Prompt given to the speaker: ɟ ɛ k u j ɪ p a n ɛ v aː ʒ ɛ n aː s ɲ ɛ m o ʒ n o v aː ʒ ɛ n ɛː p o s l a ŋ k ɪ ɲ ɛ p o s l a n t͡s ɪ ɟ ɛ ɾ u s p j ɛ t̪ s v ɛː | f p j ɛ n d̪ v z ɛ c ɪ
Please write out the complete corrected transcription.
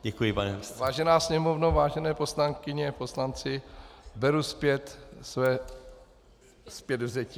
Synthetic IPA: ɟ ɛ k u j ɪ p a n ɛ v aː ʒ ɛ n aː s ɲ ɛ m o v n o v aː ʒ ɛ n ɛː p o s l a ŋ k ɪ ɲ ɛ p o s l a n t͡s ɪ b ɛ ɾ u s p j ɛ t̪ s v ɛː | s p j ɛ d̪ v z ɛ c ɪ